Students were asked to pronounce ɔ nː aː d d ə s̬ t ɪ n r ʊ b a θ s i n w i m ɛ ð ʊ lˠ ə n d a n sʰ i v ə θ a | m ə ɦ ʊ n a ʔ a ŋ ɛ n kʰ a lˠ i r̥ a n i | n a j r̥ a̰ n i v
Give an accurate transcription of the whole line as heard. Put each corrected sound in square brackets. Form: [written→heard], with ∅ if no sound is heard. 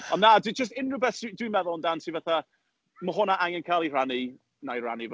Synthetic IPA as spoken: ɔ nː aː d [d→d͡ʒ] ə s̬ t ɪ n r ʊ b [a→ɛ] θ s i [n→d] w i m ɛ ð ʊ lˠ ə n d a n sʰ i v [ə→a] θ a | m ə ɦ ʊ n a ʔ a ŋ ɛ n kʰ a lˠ i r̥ a n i | n a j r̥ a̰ n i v